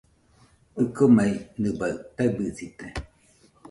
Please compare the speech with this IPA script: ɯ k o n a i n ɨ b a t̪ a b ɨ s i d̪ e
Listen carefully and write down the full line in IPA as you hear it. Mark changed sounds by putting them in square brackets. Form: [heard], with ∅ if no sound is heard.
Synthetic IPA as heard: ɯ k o [m] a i n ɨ b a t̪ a b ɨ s i [t̪] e